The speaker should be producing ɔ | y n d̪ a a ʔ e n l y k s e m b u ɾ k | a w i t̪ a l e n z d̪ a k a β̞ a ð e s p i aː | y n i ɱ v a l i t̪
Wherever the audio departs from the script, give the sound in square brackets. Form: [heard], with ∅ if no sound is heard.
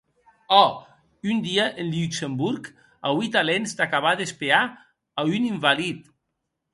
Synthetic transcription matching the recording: ɔ | y n d̪ [i] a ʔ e n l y k s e m b u ɾ k | a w i t̪ a l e n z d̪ a k a β̞ a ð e s p [e] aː | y n i ɱ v a l i t̪